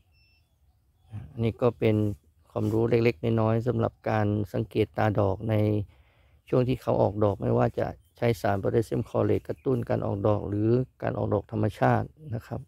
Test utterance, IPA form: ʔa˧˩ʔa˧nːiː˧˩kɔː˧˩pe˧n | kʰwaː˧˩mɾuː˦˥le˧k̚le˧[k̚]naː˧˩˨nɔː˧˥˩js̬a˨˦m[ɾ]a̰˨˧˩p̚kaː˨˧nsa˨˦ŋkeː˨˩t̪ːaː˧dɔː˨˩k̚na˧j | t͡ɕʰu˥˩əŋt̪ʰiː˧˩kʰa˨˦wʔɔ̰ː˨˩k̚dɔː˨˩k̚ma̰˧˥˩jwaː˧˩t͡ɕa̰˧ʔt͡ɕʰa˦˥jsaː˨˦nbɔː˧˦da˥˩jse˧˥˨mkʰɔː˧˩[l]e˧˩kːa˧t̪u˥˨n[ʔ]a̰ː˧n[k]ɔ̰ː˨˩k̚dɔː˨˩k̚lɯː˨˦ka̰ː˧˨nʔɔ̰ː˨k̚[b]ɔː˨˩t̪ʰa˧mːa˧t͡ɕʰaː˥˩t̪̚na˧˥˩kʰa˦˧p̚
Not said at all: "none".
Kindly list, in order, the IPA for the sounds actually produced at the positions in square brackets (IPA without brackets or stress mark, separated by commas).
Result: k̚, l, l, k, ʔ, d